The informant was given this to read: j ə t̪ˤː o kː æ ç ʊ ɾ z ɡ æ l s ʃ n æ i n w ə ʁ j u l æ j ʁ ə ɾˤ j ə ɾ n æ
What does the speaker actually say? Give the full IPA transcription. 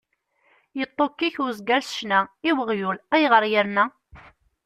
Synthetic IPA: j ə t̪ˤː o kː i ç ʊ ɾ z ɡ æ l s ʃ n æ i w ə ʁ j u l æ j ʁ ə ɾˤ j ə ɾ n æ